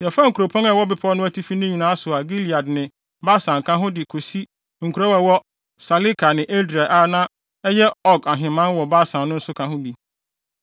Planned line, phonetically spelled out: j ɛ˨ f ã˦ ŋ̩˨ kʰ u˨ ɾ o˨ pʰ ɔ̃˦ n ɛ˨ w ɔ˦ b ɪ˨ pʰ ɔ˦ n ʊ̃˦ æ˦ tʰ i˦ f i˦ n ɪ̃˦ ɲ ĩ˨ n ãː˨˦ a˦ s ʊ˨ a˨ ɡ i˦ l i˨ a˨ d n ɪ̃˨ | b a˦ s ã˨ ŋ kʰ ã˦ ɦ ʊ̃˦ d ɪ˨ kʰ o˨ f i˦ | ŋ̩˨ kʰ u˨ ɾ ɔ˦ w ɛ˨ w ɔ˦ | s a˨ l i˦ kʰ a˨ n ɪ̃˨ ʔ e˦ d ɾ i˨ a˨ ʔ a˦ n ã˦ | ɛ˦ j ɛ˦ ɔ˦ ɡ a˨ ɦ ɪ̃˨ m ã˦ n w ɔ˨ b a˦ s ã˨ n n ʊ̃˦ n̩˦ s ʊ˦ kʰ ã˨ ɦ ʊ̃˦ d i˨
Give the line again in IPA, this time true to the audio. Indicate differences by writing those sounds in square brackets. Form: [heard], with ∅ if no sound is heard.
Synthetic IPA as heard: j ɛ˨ f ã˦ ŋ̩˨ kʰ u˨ ɾ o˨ pʰ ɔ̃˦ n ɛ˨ w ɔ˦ b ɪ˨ pʰ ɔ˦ n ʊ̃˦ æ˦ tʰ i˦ f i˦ n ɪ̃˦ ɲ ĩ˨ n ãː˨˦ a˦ s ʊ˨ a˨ ɡ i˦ l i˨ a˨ d n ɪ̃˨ | b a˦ s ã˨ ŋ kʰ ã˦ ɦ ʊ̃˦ d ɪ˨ kʰ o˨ [s] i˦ | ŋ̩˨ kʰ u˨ ɾ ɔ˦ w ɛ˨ w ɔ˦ | s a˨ l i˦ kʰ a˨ n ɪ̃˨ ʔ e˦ d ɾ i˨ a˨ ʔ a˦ n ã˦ | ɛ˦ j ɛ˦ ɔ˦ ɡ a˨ ɦ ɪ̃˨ m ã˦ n w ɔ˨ b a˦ s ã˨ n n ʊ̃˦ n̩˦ s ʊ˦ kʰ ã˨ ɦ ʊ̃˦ d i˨